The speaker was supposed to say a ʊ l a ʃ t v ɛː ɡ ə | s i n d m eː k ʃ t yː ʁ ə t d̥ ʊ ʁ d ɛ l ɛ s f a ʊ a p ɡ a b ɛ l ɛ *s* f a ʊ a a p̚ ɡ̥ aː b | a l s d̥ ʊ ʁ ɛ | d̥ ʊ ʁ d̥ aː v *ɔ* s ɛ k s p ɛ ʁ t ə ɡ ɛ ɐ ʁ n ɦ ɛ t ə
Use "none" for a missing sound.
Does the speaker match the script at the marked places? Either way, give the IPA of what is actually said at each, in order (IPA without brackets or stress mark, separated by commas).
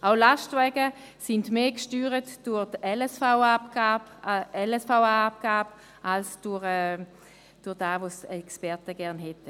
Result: s, o